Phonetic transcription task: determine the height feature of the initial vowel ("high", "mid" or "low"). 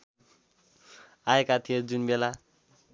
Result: low